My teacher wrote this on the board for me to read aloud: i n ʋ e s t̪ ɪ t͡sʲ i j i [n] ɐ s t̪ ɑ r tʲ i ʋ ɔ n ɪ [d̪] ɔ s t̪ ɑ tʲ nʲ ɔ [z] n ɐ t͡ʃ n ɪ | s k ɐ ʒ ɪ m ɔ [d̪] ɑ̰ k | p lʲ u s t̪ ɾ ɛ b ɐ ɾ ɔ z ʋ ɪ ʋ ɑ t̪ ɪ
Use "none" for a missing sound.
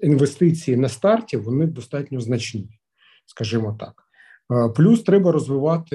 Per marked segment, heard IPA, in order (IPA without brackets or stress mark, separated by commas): n, d̪, z, t̪